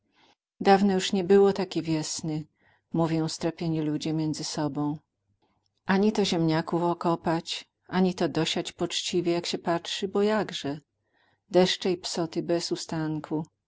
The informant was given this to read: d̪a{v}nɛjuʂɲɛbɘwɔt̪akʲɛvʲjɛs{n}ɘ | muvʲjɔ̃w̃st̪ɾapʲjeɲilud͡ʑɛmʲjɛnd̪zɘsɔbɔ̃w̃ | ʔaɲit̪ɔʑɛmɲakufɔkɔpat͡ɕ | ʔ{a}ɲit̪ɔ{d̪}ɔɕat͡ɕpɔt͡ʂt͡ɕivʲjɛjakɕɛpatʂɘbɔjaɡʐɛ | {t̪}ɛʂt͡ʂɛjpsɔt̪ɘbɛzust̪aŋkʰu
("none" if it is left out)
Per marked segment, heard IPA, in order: v, n, a, d̪, d̪

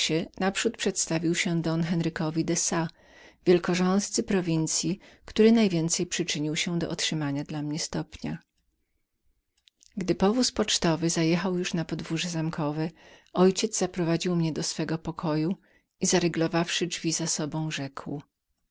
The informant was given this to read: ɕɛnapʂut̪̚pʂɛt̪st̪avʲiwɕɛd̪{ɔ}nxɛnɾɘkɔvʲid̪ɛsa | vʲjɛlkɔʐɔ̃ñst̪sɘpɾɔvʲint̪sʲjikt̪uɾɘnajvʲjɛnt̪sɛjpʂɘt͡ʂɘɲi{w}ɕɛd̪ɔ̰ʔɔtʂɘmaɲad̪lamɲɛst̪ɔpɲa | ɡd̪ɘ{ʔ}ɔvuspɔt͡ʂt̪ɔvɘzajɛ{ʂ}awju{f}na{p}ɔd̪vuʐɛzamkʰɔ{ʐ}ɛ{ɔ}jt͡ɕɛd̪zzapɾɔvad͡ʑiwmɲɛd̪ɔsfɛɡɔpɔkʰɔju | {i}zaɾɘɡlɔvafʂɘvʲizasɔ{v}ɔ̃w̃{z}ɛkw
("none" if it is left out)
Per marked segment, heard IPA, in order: ɔ, w, p, x, ʂ, p, v, ɔ, i, b, ʐ

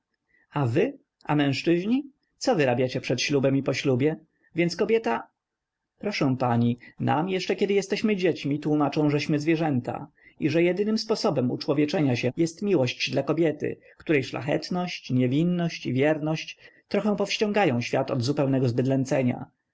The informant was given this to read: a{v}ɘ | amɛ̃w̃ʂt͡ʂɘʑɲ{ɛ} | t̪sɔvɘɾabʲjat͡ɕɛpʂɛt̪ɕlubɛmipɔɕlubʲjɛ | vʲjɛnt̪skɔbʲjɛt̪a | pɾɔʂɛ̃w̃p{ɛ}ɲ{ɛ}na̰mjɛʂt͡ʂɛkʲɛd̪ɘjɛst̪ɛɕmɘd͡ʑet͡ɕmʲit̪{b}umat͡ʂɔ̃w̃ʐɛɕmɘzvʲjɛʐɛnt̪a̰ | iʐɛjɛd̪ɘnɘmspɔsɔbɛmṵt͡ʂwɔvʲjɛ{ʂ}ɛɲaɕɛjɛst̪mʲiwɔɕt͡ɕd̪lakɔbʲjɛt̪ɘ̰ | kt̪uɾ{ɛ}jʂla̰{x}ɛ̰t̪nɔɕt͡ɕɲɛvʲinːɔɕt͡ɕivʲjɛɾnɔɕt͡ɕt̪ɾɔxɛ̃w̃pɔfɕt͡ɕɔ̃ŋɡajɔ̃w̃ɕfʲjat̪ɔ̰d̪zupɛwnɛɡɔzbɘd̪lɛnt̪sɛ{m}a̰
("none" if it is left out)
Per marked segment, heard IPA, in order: v, i, a, i, w, t͡ʂ, ɛ, x, ɲ

